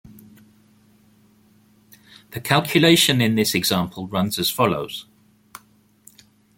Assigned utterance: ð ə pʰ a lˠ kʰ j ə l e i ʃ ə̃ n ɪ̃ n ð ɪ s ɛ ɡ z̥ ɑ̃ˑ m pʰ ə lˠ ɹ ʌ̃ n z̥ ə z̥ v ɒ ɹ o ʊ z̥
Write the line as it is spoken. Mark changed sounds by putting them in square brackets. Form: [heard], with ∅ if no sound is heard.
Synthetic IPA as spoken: ð ə [kʰ] a lˠ kʰ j ə l e [ɪ] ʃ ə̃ n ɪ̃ n ð ɪ s ɛ ɡ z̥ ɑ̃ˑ m pʰ ə lˠ ɹ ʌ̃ n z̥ ə z̥ [f] ɒ [l] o ʊ z̥